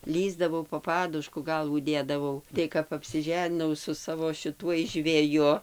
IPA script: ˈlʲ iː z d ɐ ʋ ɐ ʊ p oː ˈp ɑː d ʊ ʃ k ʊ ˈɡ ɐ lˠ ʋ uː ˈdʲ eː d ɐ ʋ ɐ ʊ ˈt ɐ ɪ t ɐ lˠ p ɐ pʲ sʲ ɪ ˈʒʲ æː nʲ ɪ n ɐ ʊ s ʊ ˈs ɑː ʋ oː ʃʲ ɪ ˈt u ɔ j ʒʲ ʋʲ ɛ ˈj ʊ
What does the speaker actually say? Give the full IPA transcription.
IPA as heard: ˈlʲ iː z d ɐ ʋ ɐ ʊ p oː ˈp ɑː d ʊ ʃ k ʊ ˈɡ ɐ lˠ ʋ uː ˈdʲ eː d ɐ ʋ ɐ ʊ ˈt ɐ ɪ k ɐ p ɐ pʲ sʲ ɪ ˈʒʲ æː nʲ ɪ n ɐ ʊ s ʊ ˈs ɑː ʋ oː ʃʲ ɪ ˈt u ɔ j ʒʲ ʋʲ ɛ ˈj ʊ